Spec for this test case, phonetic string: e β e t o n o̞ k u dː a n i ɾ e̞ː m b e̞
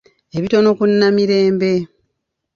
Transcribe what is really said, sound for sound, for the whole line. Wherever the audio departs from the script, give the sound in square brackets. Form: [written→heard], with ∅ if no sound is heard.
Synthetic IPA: e β [e→i] t o n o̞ k u [dː→nː] a [n→m] i ɾ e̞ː m b e̞